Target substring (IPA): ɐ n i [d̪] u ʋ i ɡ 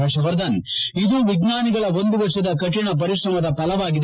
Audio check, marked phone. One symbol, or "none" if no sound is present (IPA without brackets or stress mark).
d̪